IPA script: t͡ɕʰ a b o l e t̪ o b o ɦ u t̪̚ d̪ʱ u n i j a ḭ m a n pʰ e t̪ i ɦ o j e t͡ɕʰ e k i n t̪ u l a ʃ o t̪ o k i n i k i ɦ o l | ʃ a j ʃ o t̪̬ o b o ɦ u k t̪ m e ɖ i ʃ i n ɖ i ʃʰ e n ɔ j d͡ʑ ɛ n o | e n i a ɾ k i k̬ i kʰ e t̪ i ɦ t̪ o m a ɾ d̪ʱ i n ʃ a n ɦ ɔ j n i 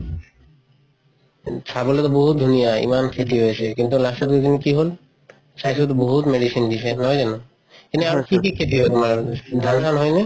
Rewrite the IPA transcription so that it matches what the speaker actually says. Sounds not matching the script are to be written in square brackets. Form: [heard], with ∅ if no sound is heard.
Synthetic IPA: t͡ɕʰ a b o l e t̪ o b o ɦ u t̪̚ d̪ʱ u n i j a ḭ m a n [kʰ] e t̪ i ɦ o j e t͡ɕʰ e k i n t̪ u l a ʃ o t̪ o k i n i k i ɦ o l | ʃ a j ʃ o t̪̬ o b o ɦ u [∅] t̪ m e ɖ i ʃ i n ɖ i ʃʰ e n ɔ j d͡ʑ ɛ n o | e n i a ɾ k i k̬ i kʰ e t̪ i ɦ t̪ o m a ɾ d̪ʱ [a] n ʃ a n ɦ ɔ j n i

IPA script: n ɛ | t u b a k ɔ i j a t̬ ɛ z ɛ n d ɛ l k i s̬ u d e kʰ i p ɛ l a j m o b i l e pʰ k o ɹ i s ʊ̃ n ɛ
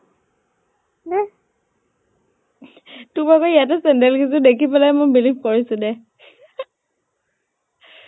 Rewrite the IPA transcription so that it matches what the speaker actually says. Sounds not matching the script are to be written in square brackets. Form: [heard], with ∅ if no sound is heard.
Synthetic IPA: n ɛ | t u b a k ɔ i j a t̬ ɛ [s] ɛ n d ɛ l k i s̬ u d e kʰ i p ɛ l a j m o b i l [i] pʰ k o ɹ i s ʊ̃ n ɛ

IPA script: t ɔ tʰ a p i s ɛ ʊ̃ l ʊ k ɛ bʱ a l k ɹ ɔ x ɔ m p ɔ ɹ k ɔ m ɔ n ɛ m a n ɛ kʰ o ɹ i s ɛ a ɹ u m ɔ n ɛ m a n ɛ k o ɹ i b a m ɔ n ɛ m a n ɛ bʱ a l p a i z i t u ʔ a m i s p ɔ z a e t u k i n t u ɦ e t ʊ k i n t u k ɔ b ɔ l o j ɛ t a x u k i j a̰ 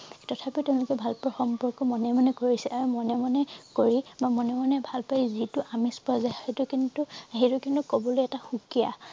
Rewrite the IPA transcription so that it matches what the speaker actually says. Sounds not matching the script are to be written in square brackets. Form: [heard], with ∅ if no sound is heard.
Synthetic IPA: t ɔ tʰ a p i [t] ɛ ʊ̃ l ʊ k ɛ bʱ a l [p] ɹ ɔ x ɔ m p ɔ ɹ k ɔ m ɔ n ɛ m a n ɛ [k] o ɹ i s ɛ a ɹ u m ɔ n ɛ m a n ɛ k o ɹ i b a m ɔ n ɛ m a n ɛ bʱ a l p a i z i t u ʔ a m i s p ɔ z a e t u k i n t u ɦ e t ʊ k i n t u k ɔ b ɔ l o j ɛ t a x u k i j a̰

